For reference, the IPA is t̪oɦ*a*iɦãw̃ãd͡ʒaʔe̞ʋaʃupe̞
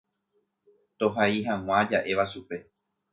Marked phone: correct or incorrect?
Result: correct